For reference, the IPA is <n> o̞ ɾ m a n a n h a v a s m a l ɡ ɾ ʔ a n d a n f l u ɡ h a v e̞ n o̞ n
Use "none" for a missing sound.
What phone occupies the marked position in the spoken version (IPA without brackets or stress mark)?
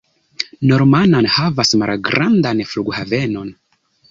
n